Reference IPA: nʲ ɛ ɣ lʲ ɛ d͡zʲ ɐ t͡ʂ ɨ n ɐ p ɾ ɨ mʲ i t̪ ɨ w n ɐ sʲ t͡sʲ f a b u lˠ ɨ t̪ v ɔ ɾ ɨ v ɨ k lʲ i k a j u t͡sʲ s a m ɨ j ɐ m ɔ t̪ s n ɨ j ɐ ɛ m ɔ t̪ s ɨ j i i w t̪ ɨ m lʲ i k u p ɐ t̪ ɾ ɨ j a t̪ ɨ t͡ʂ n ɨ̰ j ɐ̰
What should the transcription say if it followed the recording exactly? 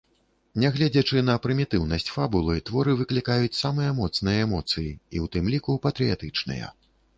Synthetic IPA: nʲ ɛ ɣ lʲ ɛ d͡zʲ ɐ t͡ʂ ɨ n ɐ p ɾ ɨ mʲ i t̪ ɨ w n ɐ sʲ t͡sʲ f a b u lˠ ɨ t̪ v ɔ ɾ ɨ v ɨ k lʲ i k a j u t͡sʲ s a m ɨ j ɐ m ɔ t̪ s n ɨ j ɐ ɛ m ɔ t̪ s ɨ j i i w t̪ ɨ m lʲ i k u p ɐ t̪ ɾ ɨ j a t̪ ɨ t͡ʂ n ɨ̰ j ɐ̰